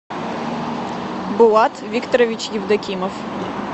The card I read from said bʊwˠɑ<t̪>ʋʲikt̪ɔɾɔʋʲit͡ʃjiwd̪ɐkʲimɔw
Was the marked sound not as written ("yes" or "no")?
no